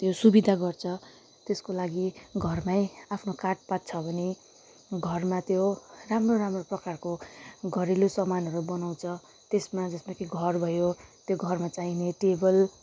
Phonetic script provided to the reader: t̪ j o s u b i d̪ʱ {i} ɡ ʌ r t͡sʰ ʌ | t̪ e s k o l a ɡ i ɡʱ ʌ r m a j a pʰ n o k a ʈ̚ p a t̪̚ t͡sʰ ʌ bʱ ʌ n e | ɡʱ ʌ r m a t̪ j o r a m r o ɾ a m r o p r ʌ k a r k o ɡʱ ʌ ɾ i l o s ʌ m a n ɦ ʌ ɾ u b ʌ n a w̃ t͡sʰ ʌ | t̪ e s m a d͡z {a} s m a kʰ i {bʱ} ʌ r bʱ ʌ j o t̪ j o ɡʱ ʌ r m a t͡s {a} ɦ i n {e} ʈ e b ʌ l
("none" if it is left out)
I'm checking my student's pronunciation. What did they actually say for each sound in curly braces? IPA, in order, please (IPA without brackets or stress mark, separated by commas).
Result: a, ʌ, ɡʱ, a, e